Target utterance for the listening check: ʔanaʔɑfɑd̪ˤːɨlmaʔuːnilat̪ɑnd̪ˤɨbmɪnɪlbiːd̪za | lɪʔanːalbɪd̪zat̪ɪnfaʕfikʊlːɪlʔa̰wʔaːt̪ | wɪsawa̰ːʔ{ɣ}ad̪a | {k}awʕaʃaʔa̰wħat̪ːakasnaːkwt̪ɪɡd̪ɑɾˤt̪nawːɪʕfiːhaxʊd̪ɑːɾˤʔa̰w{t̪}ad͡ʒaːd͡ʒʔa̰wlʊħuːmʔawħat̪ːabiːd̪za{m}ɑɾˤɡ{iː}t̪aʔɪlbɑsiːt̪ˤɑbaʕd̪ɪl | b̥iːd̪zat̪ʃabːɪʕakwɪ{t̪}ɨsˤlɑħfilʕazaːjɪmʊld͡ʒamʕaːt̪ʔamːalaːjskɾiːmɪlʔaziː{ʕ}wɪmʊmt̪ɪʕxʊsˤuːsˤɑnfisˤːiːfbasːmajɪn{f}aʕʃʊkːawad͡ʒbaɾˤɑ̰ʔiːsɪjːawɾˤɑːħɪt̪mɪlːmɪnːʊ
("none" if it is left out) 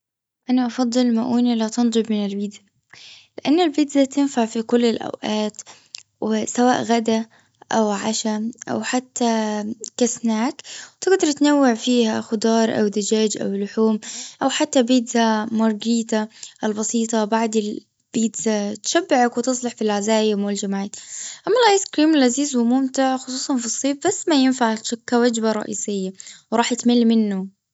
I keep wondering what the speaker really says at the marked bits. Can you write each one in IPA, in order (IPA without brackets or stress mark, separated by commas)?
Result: ɣ, ʔ, d̪, m, iː, t̪, z, f